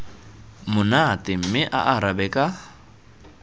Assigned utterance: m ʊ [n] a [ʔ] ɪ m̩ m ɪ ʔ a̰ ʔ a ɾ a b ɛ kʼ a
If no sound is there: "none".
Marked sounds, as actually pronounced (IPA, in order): n, t

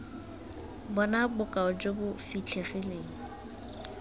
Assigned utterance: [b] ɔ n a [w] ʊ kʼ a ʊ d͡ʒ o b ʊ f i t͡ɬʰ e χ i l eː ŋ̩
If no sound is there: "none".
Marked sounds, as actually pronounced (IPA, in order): b, b

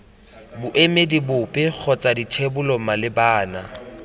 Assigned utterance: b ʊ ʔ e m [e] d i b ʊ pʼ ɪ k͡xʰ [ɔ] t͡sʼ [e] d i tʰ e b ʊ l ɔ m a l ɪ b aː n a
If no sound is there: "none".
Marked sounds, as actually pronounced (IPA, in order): e, ɔ, a

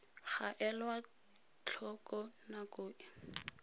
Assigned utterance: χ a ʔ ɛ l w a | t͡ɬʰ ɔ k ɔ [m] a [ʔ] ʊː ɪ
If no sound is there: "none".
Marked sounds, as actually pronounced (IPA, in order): n, k

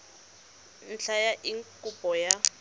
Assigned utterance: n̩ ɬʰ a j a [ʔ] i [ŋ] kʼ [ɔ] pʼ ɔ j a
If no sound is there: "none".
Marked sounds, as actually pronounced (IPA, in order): ʔ, ŋ, u

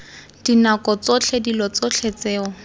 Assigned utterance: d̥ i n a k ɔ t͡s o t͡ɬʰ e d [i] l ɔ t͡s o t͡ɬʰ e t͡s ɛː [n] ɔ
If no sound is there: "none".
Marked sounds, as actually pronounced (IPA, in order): i, none

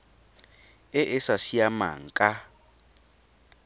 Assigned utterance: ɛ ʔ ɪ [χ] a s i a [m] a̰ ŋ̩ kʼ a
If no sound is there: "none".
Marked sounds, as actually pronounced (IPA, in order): s, m

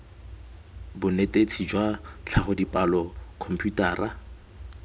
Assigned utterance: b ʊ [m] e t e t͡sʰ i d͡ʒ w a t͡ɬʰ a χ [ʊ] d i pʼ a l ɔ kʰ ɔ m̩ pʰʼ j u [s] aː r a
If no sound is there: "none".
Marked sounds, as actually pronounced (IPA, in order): n, ʊ, t

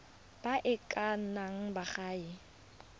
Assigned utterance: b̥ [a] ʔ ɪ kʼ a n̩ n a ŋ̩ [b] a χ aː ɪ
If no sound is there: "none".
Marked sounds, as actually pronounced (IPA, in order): a, b

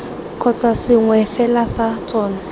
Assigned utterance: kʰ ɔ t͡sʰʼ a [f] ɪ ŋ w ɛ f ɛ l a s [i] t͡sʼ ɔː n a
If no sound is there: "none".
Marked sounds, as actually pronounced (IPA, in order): s, a

